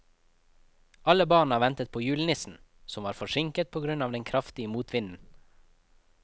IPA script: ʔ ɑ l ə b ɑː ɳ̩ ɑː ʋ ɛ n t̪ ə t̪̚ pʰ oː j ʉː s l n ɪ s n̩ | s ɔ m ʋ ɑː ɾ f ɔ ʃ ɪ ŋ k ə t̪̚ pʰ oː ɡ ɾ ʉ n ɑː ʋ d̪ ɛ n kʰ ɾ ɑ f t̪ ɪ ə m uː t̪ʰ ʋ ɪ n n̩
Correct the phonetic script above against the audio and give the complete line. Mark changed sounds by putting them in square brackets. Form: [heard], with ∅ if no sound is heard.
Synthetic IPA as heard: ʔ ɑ l ə b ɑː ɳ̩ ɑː ʋ ɛ n t̪ ə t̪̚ pʰ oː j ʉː [∅] l n ɪ s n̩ | s ɔ m ʋ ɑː ɾ f ɔ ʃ ɪ ŋ k ə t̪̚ pʰ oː ɡ ɾ ʉ n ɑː ʋ d̪ ɛ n kʰ ɾ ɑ f t̪ ɪ ə m uː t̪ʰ ʋ ɪ n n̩